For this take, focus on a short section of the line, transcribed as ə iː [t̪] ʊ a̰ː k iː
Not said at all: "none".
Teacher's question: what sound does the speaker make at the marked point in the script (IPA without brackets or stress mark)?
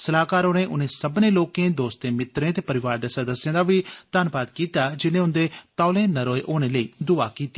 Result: d̪